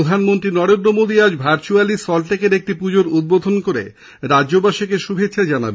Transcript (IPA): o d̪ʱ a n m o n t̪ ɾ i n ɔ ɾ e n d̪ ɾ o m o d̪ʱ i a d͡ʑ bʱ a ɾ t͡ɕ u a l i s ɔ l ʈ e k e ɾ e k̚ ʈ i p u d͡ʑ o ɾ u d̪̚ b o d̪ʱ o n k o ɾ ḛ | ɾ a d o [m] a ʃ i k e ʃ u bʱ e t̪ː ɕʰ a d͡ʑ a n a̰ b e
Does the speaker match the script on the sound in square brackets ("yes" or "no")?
no